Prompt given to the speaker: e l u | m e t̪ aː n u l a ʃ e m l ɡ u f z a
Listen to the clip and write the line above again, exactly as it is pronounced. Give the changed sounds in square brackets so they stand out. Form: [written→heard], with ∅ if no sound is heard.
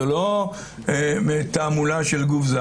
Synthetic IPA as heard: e l [u→o] | m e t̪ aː [n→m] u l a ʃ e [m→∅] l ɡ u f z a